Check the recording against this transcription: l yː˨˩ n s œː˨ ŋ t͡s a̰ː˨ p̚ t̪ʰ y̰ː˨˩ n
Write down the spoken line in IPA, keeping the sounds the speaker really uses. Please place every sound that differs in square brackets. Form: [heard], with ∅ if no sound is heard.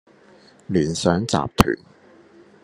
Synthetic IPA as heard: l [iː˨˩] n s [œː˨˥] ŋ t͡s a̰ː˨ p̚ t̪ʰ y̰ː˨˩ n